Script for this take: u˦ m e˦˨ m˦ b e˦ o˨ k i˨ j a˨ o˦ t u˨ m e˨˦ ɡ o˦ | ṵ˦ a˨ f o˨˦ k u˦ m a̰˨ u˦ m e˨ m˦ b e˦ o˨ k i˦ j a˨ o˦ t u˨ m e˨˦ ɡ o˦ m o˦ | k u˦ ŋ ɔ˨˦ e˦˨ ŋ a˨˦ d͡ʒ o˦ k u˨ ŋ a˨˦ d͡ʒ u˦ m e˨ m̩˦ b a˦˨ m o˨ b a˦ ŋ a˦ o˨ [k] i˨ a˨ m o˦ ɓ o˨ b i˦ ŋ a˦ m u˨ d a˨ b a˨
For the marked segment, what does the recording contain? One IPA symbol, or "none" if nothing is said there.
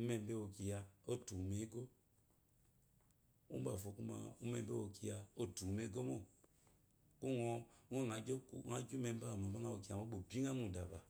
k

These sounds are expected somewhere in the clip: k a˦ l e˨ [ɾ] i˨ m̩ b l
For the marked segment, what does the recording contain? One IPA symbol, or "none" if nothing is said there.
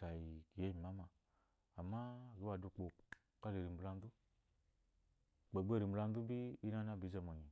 ɾ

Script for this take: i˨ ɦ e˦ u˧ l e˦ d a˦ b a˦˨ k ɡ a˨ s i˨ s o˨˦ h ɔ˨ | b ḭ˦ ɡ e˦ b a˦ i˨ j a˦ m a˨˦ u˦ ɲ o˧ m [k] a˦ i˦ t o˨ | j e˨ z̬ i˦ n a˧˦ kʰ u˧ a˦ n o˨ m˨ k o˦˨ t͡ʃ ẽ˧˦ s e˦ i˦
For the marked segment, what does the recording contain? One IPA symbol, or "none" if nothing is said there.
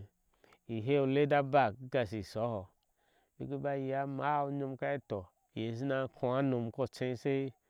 k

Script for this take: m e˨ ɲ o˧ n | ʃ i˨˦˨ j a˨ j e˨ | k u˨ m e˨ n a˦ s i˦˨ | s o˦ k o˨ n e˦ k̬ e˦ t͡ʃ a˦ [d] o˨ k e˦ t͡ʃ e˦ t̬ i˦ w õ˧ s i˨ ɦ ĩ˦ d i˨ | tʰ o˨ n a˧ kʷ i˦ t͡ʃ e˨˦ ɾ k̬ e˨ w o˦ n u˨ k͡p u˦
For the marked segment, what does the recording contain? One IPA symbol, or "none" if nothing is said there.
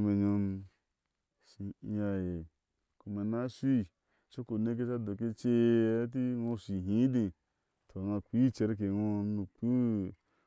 d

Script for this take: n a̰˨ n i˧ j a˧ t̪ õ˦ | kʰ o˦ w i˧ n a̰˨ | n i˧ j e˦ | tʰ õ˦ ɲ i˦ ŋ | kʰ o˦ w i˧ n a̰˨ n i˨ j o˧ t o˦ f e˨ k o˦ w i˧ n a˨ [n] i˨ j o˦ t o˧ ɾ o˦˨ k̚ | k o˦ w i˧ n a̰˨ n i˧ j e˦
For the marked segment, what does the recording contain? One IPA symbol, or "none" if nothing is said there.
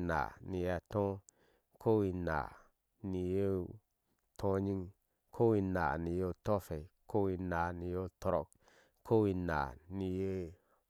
n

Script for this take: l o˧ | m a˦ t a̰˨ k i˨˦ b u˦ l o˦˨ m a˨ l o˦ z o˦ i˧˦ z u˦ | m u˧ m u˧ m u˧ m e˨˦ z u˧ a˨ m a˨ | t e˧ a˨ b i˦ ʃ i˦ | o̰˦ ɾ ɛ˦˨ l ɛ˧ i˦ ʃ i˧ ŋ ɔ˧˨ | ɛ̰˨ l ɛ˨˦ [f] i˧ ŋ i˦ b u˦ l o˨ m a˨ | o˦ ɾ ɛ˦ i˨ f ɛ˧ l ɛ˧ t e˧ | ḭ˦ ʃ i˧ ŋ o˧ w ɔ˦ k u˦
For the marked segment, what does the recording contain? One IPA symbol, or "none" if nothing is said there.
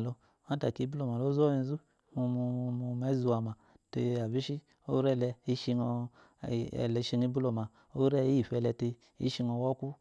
ʃ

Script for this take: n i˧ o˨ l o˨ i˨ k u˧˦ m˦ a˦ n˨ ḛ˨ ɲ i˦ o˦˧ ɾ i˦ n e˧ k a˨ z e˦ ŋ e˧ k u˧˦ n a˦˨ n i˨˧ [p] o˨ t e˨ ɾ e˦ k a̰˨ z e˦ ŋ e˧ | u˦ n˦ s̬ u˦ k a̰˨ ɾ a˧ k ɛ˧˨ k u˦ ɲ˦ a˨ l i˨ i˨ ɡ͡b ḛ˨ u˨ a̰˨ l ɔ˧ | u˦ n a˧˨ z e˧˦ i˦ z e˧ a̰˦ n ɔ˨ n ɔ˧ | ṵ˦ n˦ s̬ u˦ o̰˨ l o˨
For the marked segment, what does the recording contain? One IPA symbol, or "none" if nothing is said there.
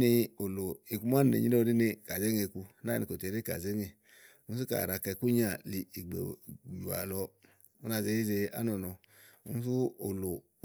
k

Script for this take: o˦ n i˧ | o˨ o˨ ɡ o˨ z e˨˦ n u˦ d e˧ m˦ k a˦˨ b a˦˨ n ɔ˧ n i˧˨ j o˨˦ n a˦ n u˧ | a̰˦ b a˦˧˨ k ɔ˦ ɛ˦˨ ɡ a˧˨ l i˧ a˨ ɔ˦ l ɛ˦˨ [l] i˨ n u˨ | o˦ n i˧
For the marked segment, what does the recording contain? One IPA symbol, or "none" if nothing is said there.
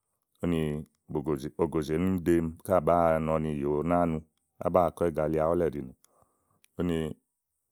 ɾ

